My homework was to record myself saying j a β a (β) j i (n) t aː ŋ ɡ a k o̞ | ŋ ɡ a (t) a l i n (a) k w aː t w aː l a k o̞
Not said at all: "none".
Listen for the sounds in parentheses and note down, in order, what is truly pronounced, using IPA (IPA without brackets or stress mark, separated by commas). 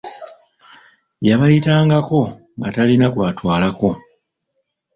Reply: none, none, t, a